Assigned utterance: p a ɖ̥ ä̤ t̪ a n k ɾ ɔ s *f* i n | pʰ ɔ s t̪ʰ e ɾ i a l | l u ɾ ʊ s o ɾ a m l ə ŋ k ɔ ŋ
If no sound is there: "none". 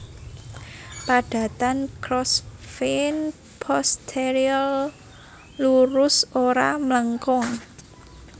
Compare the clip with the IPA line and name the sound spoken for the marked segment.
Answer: f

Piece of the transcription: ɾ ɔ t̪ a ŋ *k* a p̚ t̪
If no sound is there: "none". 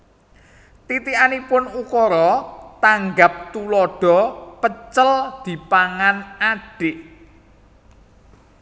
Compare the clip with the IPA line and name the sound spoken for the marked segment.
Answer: ɡ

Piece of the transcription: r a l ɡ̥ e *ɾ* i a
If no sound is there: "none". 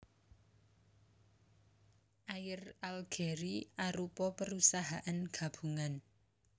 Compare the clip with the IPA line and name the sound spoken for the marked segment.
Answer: ɾ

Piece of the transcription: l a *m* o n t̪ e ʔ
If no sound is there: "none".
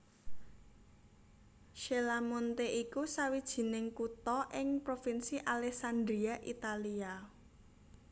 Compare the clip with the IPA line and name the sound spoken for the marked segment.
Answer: m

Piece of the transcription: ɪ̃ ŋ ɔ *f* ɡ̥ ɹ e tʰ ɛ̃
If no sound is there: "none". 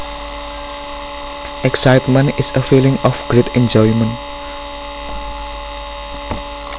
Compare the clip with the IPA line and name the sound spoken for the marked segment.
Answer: f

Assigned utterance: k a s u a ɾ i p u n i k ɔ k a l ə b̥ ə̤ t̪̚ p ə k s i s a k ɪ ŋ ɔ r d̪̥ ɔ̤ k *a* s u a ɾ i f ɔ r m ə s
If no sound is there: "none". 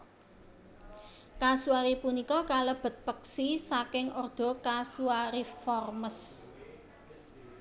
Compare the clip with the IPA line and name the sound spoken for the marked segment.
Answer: a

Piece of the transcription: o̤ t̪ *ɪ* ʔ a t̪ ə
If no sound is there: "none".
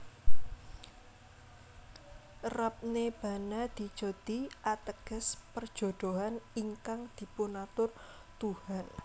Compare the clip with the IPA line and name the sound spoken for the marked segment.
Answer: i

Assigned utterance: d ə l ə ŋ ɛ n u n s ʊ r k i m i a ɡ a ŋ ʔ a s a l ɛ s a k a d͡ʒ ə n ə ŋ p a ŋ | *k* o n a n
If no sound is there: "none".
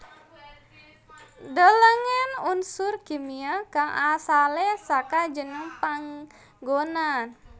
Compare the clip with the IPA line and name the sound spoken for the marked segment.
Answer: ɡ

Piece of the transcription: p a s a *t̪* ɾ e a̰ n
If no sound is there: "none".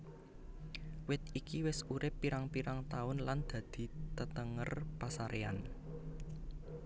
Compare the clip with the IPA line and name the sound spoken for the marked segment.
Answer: none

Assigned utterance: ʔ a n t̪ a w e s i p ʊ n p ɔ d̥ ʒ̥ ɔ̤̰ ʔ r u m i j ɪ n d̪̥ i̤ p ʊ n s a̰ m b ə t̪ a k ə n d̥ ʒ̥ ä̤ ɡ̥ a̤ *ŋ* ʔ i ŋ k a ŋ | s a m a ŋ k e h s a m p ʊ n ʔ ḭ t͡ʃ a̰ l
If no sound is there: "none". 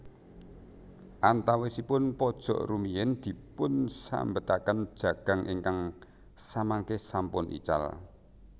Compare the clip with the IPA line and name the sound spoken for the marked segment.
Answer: ŋ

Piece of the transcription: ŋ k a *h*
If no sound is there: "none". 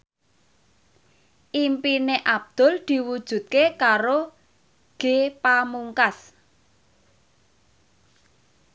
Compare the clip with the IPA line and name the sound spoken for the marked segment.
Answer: s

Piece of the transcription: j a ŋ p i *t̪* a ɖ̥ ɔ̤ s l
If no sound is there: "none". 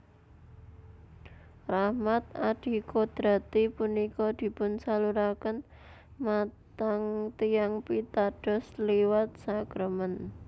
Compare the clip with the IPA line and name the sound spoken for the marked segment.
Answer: t̪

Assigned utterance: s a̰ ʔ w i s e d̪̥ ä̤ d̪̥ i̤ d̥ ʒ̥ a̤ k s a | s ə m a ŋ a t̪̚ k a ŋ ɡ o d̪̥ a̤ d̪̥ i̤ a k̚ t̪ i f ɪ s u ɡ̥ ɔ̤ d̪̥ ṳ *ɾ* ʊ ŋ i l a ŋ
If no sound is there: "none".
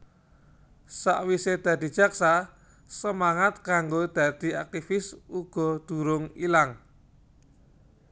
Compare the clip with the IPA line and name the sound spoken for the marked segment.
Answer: ɾ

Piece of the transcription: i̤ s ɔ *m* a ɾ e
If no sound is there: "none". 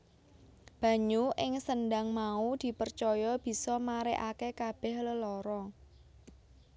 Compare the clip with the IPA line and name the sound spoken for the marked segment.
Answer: m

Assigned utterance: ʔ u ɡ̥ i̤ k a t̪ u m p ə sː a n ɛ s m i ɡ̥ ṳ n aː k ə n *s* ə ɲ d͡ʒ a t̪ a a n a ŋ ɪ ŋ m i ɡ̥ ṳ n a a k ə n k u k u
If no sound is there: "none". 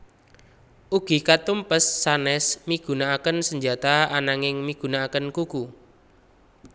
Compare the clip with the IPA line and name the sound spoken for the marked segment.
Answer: s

